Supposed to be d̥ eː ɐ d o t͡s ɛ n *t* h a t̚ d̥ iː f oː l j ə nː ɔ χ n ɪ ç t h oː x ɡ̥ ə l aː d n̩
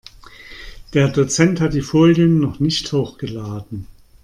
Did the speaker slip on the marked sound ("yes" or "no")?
no